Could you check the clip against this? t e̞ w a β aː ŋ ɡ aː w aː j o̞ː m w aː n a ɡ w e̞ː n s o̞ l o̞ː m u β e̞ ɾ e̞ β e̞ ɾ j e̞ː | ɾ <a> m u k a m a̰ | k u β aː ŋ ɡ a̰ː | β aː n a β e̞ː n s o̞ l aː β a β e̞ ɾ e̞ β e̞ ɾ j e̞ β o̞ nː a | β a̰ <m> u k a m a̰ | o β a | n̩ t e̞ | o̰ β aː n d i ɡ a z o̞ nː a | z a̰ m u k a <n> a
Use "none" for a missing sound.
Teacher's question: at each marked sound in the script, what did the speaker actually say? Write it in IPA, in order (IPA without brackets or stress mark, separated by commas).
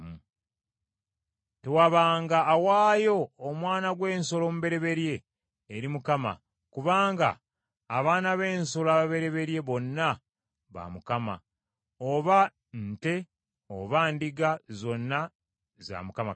i, m, m